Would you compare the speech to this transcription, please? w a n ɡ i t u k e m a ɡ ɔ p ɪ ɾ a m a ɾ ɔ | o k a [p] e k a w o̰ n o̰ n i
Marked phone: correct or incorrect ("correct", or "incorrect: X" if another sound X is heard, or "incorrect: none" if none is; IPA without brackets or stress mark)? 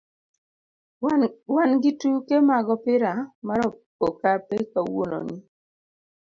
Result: correct